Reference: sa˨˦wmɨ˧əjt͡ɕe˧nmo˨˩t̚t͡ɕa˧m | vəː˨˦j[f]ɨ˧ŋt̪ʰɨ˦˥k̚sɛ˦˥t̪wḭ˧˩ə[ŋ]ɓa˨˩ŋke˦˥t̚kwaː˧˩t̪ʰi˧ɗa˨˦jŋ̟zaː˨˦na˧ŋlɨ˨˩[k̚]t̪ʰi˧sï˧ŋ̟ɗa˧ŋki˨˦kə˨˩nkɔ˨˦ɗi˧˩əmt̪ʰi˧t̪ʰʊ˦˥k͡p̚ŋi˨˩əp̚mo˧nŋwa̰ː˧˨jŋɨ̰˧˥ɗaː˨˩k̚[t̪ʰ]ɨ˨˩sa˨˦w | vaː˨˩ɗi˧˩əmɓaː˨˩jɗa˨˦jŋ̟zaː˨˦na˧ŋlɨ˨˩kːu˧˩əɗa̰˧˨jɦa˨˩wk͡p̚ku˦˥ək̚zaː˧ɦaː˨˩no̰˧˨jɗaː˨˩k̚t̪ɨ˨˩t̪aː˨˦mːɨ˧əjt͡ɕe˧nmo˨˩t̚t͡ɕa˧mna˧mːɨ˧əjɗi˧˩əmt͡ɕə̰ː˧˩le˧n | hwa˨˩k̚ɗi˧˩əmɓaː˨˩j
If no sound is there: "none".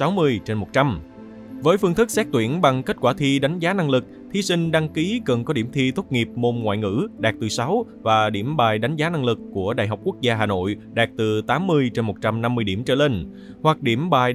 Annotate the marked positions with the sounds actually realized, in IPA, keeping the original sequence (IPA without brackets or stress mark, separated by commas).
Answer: f, n, k̚, t̪